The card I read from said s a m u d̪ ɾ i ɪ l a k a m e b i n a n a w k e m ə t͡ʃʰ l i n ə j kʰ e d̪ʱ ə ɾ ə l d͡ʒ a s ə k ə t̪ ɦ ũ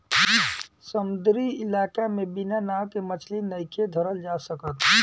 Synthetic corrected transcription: s ə m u d̪ ɾ i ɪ l a k a m e b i n a n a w k e m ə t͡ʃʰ l i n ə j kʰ e d̪ʱ ə ɾ ə l d͡ʒ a s ə k ə t̪ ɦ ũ